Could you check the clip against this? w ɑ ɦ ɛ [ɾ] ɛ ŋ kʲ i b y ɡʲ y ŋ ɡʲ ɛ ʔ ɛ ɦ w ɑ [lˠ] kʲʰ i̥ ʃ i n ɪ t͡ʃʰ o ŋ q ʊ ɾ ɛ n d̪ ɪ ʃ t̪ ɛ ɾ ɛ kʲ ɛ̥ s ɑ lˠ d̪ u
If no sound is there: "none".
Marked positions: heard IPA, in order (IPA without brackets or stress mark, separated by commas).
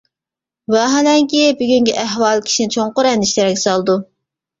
l, lˠ